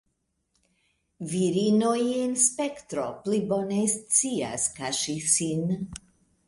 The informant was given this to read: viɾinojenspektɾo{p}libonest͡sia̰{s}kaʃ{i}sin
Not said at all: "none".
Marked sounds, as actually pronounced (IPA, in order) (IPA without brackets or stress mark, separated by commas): p, s, i